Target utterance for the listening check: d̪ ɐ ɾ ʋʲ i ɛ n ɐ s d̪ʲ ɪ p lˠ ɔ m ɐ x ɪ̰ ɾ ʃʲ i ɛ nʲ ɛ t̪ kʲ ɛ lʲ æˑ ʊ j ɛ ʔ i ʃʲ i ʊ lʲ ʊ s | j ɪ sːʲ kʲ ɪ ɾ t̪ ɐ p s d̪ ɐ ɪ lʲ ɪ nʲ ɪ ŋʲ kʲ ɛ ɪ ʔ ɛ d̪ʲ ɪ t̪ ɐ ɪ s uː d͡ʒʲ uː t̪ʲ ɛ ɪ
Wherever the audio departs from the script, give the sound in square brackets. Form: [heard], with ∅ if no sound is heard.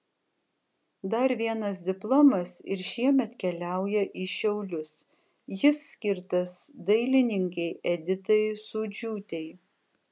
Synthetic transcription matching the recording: d̪ ɐ ɾ ʋʲ i ɛ n ɐ s d̪ʲ ɪ p lˠ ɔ m ɐ [s] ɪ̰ ɾ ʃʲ i ɛ [mʲ] ɛ t̪ kʲ ɛ lʲ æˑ ʊ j ɛ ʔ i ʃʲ [ɛ] ʊ lʲ ʊ s | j ɪ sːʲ kʲ ɪ ɾ t̪ ɐ [∅] s d̪ ɐ ɪ lʲ ɪ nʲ ɪ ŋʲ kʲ ɛ ɪ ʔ ɛ d̪ʲ ɪ t̪ ɐ ɪ s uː d͡ʒʲ uː t̪ʲ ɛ ɪ